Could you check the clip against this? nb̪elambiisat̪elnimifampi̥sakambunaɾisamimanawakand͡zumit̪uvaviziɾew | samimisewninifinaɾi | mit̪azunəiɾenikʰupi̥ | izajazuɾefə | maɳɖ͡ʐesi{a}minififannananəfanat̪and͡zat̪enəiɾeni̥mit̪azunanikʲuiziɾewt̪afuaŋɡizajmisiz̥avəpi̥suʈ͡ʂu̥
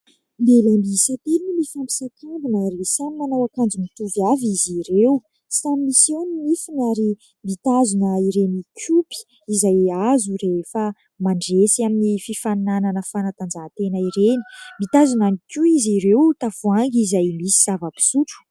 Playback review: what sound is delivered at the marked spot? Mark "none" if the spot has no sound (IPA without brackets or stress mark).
a